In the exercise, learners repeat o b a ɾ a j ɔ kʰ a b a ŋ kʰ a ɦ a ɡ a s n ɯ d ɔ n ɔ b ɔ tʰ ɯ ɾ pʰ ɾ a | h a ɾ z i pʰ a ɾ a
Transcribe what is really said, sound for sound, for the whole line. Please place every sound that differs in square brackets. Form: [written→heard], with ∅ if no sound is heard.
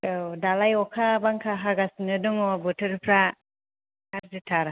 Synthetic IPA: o [b→d] a [ɾ→l] a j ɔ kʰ a b a ŋ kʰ a ɦ a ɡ a s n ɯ d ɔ [n→ŋ] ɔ b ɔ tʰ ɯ ɾ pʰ ɾ a | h a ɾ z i [pʰ→tʰ] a ɾ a